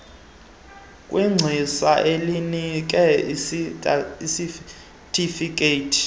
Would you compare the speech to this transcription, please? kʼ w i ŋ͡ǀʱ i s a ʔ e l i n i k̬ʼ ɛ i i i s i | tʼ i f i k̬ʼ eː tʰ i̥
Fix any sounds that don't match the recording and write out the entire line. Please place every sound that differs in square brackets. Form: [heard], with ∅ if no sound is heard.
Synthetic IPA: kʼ w i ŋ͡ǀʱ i s a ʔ e l i n i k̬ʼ ɛ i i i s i | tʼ i f i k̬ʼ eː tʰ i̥